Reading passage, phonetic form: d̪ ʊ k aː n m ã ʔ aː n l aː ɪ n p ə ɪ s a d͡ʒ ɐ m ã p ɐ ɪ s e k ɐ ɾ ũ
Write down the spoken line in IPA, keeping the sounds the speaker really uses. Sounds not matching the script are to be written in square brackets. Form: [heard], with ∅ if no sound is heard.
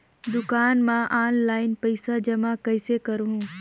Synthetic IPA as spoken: d̪ ʊ k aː n m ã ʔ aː n l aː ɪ n p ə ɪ s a d͡ʒ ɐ m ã [k] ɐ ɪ s e k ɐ ɾ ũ